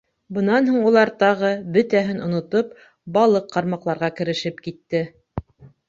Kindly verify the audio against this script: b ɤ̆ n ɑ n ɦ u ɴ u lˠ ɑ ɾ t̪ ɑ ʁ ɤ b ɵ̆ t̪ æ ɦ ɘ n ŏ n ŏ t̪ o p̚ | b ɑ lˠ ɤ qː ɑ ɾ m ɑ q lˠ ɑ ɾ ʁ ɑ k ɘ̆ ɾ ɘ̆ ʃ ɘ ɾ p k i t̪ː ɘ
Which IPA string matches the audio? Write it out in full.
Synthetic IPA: b ɤ̆ n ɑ n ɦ u ɴ u lˠ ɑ ɾ t̪ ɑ ʁ ɤ b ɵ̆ t̪ æ ɦ ɘ n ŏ n ŏ t̪ o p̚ | b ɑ lˠ ɤ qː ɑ ɾ m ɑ q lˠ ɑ ɾ ʁ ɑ k ɘ̆ ɾ ɘ̆ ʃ ɘ p k i t̪ː ɘ